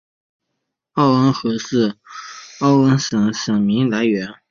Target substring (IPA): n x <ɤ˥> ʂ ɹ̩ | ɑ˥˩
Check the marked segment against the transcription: incorrect: ɤ˧˥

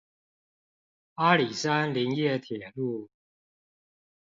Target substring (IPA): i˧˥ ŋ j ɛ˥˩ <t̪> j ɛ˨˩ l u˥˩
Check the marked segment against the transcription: incorrect: t̪ʰ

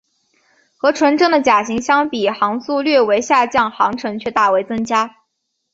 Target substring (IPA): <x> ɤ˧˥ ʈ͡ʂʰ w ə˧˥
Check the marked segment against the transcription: correct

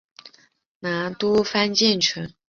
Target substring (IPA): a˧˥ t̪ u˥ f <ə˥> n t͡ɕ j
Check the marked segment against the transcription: incorrect: a˥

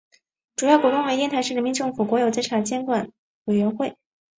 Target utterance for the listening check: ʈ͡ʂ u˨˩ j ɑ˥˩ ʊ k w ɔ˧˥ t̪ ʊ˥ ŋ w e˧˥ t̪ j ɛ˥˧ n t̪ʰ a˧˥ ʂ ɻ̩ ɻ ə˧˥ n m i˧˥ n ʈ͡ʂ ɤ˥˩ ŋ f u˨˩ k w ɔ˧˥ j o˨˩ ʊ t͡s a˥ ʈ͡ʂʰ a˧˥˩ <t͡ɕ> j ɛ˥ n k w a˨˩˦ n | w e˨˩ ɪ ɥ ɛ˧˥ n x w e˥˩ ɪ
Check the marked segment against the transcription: correct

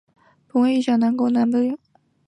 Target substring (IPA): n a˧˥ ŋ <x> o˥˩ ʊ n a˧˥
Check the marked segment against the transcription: incorrect: k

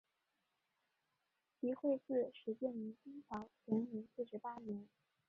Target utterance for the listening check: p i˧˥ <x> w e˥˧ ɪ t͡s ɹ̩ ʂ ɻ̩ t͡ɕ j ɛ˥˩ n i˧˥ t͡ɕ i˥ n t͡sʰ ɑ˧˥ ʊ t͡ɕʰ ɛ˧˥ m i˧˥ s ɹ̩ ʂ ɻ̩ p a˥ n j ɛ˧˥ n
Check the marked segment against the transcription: correct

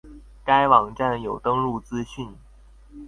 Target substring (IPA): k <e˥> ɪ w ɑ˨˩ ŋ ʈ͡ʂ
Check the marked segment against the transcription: incorrect: a˥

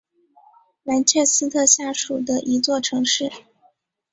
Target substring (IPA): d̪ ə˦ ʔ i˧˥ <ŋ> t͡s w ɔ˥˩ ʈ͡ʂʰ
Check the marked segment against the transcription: incorrect: none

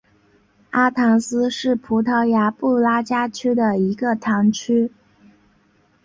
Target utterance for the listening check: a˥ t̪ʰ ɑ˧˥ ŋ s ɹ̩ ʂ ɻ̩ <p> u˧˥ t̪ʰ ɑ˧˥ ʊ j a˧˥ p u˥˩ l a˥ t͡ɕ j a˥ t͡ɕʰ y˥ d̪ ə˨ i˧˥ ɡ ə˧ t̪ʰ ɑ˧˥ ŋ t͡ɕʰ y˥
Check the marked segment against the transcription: incorrect: pʰ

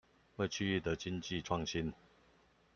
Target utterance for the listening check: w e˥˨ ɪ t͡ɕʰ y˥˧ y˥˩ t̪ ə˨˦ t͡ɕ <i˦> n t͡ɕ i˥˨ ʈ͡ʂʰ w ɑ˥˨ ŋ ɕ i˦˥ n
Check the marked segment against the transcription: correct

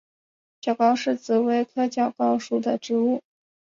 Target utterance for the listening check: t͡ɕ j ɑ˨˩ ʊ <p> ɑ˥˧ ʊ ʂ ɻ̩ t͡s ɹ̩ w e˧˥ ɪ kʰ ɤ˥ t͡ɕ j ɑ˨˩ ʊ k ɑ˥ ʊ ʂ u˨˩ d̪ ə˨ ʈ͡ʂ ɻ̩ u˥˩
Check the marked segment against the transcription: incorrect: k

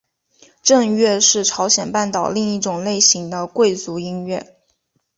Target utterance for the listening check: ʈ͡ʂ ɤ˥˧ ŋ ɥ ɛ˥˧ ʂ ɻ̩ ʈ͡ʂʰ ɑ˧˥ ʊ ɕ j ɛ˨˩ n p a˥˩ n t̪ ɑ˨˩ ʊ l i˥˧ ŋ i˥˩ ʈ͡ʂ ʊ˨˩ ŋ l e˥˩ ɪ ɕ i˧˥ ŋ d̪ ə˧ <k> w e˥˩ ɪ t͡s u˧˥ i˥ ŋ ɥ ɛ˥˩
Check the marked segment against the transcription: correct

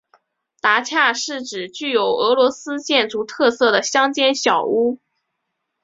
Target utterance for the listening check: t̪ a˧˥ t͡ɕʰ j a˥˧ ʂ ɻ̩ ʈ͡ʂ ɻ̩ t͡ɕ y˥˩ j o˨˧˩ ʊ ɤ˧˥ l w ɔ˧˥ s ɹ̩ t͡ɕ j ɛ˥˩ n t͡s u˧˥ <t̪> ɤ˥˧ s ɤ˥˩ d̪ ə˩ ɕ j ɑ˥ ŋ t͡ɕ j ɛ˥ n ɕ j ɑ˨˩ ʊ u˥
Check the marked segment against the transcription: incorrect: t̪ʰ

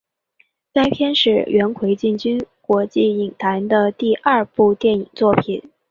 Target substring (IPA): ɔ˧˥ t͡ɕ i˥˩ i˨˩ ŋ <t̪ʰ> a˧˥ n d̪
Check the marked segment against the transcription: correct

